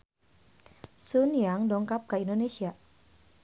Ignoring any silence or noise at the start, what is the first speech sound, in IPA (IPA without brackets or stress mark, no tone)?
s